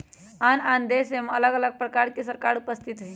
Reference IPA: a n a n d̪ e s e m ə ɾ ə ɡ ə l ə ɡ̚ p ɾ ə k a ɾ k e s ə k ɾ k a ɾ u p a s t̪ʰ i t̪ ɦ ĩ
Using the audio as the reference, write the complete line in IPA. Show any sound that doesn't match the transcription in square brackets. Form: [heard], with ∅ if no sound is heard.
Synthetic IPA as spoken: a n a n d̪ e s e m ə [l] ə ɡ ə l ə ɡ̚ p ɾ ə k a ɾ k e s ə [∅] ɾ k a ɾ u p [ə] s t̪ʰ i t̪ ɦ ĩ